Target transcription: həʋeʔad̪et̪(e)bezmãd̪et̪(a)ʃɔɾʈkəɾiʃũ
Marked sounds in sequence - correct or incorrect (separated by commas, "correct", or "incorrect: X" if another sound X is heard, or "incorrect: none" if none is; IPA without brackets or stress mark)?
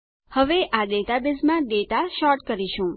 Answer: incorrect: a, correct